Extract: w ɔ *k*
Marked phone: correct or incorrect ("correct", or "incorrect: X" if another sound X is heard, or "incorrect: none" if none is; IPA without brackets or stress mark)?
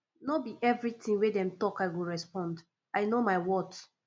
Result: incorrect: t